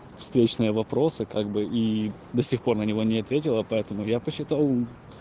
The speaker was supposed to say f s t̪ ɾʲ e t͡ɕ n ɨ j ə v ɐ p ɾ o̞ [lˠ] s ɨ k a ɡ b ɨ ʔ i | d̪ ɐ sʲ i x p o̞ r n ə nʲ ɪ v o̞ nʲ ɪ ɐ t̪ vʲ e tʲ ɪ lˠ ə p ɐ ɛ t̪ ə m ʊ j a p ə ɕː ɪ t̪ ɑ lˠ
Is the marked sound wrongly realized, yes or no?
yes